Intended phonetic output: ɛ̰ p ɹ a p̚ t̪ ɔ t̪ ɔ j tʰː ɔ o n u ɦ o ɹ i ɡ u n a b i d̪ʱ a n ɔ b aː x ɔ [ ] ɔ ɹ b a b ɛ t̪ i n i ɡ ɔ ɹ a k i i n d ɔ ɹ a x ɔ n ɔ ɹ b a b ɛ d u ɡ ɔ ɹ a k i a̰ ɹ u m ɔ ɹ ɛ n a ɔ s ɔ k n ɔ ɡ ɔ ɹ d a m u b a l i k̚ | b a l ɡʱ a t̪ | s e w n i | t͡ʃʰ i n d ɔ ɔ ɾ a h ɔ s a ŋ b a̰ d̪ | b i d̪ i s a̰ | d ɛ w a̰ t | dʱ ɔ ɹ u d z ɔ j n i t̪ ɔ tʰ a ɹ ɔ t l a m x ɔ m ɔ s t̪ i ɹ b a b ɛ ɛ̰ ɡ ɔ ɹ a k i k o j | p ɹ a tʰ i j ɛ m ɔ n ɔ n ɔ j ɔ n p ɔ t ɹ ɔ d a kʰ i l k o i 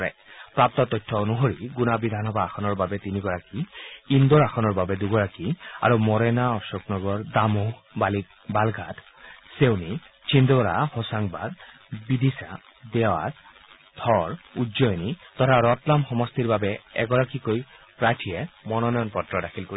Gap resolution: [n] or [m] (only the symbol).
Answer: n